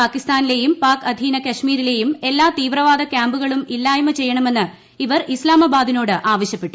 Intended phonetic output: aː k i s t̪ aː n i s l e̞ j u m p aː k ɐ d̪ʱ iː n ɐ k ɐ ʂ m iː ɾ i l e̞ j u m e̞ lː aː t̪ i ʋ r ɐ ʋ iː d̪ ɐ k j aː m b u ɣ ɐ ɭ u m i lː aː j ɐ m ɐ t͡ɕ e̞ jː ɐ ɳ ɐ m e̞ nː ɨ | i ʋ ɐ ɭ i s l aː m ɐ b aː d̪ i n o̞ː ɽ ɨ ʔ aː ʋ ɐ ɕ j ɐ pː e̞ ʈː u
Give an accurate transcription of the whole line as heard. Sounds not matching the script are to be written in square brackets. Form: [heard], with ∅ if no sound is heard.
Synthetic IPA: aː k i s t̪ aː n i [∅] l e̞ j u m p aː k ɐ d̪ʱ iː n ɐ k ɐ ʂ m iː ɾ i l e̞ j u m e̞ lː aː t̪ [iː] ʋ r ɐ ʋ [aː] d̪ ɐ k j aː m b u ɣ ɐ ɭ u m i lː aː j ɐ m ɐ t͡ɕ e̞ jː ɐ ɳ ɐ m e̞ nː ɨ | i ʋ ɐ [r] i s l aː m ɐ b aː d̪ i n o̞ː ɽ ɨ ʔ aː ʋ ɐ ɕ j ɐ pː e̞ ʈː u